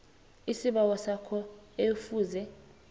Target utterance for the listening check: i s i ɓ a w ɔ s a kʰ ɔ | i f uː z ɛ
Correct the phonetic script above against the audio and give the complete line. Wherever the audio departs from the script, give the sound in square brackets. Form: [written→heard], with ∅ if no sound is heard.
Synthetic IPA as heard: i s i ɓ a w ɔ s a kʰ ɔ | [i→e] f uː z ɛ